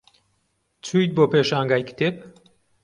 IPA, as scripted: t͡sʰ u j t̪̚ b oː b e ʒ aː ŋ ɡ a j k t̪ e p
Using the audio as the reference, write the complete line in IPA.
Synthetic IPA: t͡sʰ u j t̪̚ b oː p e ʃ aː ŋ ɡ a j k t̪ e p